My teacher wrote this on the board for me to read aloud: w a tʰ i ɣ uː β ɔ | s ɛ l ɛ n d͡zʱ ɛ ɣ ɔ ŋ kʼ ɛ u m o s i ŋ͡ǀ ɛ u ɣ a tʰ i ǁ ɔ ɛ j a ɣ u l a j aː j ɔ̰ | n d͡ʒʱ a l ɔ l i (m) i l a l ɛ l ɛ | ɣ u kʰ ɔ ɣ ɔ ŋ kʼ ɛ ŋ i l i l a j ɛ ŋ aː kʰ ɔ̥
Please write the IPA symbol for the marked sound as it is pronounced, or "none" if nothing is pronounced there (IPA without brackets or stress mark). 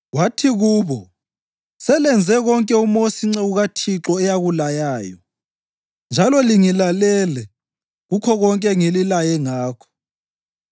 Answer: ŋ